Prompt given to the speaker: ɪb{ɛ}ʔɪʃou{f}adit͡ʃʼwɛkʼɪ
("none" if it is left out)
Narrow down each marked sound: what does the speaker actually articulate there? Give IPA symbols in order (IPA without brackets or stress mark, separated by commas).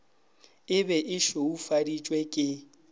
ɛ, f